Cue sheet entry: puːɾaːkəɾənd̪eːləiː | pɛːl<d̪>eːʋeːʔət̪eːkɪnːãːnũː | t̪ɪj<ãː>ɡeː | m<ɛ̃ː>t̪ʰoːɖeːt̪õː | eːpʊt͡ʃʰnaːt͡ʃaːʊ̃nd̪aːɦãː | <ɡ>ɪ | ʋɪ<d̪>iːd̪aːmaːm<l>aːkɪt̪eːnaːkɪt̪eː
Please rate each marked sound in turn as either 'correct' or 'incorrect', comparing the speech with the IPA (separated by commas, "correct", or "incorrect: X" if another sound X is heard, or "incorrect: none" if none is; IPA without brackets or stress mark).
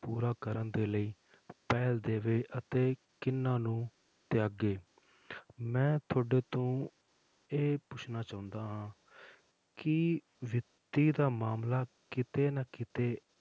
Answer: correct, incorrect: aː, correct, incorrect: k, incorrect: t̪, correct